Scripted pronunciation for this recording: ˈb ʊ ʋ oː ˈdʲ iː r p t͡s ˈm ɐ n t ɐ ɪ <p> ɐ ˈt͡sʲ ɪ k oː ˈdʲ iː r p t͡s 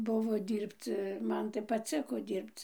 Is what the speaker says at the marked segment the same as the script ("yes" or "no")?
yes